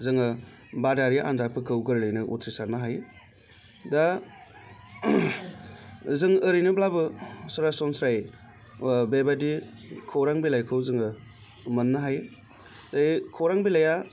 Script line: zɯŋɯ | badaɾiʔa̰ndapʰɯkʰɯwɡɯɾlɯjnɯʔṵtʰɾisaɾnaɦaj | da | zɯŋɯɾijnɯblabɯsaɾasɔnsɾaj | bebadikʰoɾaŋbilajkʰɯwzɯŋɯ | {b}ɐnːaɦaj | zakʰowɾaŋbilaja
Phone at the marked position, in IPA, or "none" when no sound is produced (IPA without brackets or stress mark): m